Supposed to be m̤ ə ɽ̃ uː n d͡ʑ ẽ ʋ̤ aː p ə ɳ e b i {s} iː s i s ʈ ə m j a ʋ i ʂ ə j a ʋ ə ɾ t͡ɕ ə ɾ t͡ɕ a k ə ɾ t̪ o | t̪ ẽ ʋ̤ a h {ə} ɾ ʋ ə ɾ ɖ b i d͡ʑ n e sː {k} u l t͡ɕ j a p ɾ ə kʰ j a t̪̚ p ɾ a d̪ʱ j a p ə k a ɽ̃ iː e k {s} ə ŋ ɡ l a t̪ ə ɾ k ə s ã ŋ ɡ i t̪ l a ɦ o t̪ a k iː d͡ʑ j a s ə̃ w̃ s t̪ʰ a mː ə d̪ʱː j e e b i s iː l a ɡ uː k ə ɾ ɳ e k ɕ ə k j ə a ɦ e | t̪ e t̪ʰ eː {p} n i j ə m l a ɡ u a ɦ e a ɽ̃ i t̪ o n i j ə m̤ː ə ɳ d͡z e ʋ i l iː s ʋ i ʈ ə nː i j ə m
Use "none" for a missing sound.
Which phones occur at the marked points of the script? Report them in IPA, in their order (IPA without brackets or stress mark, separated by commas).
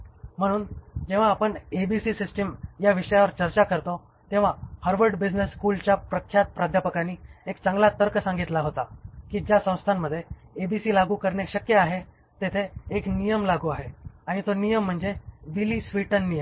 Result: s, ə, k, t͡s, k